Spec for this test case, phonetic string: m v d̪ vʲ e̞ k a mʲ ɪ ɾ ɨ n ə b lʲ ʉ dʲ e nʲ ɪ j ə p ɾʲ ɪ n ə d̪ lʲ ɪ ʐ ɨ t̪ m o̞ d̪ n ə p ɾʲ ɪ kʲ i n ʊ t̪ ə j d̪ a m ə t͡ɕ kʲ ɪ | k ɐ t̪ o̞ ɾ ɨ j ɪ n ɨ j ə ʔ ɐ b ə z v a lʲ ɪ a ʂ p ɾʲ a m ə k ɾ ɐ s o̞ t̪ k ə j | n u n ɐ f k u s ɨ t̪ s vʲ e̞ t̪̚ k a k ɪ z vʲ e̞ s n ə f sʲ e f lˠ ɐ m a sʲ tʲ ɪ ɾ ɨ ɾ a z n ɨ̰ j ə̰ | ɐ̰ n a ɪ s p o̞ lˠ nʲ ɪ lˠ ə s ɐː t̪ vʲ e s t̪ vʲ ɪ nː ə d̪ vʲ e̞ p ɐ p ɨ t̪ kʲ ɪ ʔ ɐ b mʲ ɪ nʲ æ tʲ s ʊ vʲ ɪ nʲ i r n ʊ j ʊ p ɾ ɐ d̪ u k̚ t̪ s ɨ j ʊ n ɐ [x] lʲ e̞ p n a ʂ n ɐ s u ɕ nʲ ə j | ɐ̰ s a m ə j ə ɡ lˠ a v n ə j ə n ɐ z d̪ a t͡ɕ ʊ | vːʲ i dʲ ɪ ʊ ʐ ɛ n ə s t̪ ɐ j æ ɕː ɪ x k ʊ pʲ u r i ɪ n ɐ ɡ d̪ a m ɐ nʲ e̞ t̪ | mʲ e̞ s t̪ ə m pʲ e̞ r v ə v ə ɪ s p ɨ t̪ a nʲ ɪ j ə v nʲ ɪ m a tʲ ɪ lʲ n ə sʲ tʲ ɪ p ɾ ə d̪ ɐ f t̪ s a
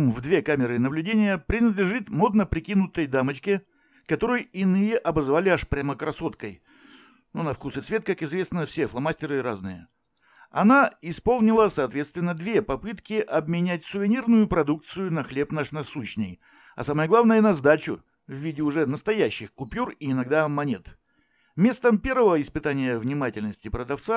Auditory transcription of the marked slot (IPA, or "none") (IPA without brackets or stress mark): x